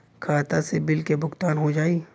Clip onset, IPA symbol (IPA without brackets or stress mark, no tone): kʰ